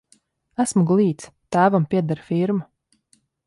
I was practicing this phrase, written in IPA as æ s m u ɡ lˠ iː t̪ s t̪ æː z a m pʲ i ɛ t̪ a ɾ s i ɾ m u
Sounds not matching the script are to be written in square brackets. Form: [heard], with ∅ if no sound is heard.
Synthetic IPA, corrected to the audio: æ s m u ɡ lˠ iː t̪ s t̪ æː [v] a m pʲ i ɛ [d̪] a ɾ [f] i ɾ m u